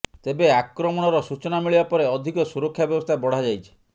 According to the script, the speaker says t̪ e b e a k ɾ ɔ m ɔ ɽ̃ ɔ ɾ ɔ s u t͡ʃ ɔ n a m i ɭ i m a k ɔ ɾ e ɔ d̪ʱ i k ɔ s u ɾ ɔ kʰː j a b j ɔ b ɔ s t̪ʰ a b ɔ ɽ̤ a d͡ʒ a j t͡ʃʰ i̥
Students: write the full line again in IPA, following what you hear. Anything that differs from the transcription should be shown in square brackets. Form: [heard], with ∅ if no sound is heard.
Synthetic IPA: t̪ e b e a k ɾ ɔ m ɔ ɽ̃ ɔ ɾ ɔ s u t͡ʃ ɔ n a m i ɭ i [b] a [p] ɔ ɾ e ɔ d̪ʱ i k ɔ s u ɾ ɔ kʰː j a b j ɔ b ɔ s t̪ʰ a b ɔ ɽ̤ a d͡ʒ a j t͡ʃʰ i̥